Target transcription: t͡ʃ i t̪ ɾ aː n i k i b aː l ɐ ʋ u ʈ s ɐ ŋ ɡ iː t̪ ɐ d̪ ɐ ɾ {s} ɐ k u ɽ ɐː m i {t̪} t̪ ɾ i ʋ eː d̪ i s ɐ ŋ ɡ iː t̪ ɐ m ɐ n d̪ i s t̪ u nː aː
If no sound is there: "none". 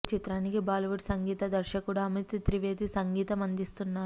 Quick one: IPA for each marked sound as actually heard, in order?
ʃ, t̪

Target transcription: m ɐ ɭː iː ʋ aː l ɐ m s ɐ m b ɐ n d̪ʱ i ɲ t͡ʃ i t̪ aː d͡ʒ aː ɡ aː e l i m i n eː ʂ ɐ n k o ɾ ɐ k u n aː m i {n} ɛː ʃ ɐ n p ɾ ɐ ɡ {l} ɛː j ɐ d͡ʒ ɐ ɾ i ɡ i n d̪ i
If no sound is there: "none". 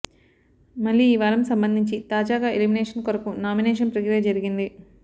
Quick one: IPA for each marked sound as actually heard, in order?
n, ɾ

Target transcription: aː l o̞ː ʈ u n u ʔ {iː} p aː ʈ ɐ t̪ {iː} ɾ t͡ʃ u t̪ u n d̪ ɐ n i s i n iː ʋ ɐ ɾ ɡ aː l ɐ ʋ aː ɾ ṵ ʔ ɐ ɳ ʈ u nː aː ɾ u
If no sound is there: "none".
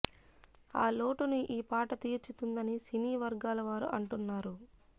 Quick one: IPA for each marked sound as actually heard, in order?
iː, iː

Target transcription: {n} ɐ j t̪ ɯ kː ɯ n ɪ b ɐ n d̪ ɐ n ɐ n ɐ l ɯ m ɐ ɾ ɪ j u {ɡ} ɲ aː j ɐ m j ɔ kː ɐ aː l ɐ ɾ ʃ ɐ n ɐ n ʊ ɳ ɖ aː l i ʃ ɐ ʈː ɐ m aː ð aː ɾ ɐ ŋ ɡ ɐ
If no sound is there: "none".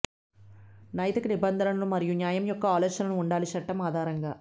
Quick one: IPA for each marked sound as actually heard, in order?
n, none

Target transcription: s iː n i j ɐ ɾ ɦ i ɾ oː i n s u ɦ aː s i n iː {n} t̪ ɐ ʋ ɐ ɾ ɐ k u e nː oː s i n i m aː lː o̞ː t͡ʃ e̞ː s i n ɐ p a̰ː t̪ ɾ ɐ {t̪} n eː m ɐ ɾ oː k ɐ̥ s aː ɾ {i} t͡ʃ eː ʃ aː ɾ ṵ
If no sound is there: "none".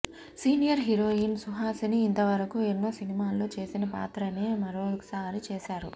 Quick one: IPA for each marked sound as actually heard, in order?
n, none, i

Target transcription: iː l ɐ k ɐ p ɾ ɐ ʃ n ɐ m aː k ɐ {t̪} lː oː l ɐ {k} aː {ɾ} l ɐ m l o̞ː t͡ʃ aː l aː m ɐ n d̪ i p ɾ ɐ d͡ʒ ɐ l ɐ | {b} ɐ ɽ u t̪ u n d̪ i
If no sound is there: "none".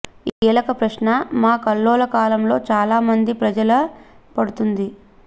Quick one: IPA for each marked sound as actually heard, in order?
none, k, none, p

